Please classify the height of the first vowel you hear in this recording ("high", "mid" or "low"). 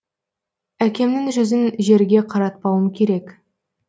low